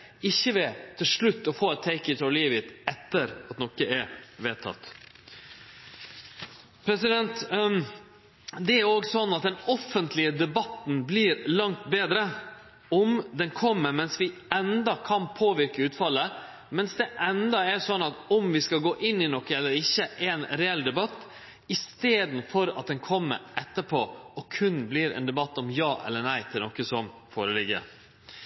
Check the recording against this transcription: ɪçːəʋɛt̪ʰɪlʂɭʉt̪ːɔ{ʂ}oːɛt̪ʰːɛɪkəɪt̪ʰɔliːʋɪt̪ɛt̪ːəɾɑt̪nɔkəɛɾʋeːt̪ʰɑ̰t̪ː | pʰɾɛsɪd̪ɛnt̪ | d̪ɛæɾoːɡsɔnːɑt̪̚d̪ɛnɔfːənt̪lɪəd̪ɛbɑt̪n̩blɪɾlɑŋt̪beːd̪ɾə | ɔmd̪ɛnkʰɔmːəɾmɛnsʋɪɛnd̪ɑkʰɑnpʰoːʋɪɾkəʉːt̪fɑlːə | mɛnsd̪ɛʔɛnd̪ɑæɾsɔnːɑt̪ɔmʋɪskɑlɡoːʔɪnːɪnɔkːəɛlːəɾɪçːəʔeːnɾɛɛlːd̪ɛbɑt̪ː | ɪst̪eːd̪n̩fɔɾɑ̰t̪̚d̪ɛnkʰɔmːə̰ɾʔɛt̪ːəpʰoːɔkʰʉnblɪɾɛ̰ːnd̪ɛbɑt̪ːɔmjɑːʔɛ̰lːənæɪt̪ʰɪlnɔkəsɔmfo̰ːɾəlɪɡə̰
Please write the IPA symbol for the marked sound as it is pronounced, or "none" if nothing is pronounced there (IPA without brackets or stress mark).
f